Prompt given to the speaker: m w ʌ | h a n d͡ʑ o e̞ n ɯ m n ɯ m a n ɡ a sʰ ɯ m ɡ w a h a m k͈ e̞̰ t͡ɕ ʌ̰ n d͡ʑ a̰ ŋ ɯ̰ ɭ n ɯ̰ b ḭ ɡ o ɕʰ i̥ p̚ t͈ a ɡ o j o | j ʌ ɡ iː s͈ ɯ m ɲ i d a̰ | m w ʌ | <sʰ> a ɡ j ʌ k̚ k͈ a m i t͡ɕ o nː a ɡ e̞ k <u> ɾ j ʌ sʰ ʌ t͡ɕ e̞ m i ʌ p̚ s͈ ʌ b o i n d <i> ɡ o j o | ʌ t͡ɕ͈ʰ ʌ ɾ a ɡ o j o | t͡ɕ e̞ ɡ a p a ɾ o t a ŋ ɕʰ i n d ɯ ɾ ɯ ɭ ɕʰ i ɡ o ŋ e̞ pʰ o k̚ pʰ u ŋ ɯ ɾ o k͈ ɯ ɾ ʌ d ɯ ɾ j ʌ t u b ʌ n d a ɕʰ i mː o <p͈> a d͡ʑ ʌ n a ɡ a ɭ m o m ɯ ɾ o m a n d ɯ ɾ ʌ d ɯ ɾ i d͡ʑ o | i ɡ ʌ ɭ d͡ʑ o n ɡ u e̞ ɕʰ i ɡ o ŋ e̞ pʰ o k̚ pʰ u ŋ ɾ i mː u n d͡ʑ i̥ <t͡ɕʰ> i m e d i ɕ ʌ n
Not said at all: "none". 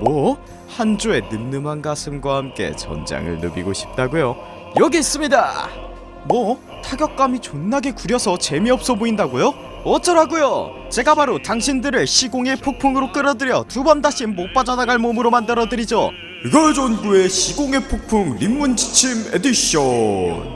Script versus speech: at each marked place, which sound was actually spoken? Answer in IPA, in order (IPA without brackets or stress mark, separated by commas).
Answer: tʰ, u, a, p͈, t͡ɕʰ